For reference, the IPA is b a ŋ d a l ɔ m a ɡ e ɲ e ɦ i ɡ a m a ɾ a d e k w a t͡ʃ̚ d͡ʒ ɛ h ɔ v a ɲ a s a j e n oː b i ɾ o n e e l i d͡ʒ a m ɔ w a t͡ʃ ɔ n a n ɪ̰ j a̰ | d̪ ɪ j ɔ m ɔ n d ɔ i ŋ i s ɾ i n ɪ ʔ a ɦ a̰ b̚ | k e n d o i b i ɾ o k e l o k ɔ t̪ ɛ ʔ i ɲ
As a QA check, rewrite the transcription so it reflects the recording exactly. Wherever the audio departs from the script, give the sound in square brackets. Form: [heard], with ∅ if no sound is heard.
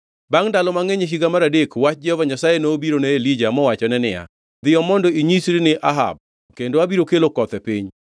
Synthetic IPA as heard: b a ŋ d a l ɔ m a [ŋ] e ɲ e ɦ i ɡ a m a ɾ a d e k w a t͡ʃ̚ d͡ʒ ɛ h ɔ v a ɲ a s a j e n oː b i ɾ o n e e l i d͡ʒ a m ɔ w a t͡ʃ ɔ n [ɛ] n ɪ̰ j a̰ | d̪ ɪ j ɔ m ɔ n d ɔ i [ɲ] i s ɾ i n ɪ ʔ a ɦ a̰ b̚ | k e n d o [a] b i ɾ o k e l o k ɔ t̪ ɛ [p] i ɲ